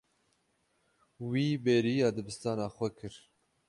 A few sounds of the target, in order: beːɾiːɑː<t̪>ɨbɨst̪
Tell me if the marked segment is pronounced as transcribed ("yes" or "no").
no